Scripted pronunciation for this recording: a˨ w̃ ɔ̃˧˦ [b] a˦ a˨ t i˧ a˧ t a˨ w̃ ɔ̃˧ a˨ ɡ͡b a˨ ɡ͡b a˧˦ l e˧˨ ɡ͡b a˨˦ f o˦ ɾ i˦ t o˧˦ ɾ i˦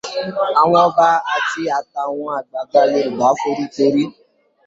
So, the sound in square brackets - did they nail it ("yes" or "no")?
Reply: yes